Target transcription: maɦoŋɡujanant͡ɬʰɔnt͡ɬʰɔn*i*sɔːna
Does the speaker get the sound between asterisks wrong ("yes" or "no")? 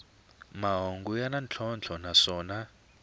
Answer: yes